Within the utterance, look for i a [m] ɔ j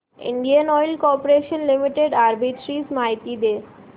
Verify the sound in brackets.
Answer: incorrect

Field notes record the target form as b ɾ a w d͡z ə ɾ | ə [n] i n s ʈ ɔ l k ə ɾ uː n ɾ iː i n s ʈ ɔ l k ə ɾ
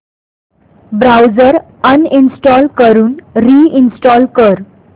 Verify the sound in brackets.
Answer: correct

